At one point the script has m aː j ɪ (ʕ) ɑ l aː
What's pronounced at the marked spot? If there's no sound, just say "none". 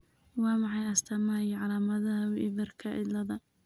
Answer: ʕ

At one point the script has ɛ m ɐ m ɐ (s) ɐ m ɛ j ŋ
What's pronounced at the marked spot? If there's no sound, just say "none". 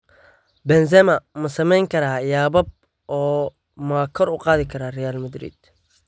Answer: s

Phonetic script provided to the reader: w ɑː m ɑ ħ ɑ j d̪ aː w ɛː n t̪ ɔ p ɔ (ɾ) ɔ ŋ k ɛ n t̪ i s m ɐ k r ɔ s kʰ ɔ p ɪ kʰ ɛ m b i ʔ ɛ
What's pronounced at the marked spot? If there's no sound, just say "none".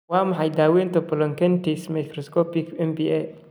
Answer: l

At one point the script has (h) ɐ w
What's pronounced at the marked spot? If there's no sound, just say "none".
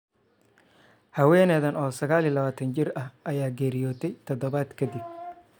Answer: h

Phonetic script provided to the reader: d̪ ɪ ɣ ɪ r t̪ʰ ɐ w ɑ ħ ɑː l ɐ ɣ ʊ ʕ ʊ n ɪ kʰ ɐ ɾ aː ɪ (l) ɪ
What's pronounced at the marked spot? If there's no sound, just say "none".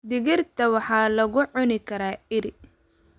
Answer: ɾ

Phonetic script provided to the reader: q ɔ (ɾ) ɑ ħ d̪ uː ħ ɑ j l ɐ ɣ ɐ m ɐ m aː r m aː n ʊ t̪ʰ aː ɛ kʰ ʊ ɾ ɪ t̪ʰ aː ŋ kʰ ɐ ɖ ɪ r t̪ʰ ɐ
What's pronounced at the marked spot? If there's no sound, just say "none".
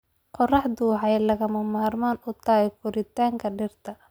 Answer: r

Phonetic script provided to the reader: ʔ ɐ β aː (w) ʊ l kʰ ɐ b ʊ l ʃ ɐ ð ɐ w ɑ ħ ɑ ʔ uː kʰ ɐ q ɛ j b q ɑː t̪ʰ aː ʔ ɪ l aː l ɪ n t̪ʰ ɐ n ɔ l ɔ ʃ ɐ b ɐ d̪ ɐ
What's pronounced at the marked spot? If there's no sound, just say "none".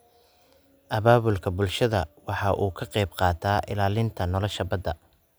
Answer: β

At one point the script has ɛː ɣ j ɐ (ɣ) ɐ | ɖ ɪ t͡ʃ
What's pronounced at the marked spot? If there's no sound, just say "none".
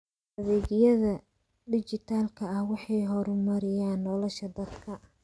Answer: ð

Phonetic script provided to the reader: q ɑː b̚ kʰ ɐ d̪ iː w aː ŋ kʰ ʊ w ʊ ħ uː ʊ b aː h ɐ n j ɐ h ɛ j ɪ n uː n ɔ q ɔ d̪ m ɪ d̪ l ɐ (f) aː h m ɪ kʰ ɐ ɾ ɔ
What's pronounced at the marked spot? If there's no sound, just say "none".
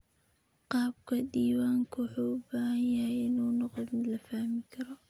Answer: f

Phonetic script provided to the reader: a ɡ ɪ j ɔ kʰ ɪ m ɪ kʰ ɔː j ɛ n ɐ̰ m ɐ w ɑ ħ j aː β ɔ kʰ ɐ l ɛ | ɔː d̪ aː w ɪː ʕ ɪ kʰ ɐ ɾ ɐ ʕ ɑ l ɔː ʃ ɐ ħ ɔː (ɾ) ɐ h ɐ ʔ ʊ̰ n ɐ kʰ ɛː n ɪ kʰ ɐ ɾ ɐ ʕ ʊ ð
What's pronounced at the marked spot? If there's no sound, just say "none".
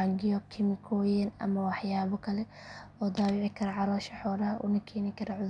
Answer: ɾ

